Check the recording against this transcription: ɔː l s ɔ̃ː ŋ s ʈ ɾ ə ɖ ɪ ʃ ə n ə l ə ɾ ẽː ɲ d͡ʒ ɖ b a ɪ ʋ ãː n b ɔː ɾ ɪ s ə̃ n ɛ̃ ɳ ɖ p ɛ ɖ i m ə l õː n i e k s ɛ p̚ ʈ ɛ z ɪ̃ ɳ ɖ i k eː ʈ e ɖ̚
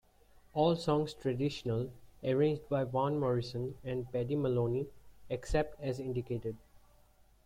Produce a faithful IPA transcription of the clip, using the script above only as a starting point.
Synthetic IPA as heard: ɔː l s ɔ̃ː ŋ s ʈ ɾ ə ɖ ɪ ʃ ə n ə l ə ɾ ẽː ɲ d͡ʒ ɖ b a ɪ ʋ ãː n m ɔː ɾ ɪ s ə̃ n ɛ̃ ɳ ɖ p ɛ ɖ i m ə l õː n i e k s ɛ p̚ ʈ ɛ z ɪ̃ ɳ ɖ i k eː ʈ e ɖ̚